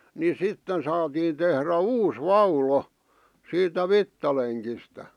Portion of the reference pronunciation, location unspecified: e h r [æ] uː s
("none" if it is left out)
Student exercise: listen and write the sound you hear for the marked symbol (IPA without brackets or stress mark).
æ